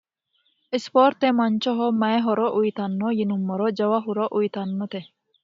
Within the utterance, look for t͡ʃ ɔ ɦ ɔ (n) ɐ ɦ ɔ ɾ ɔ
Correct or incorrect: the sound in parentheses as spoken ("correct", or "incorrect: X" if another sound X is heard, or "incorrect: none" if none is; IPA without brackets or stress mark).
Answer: incorrect: m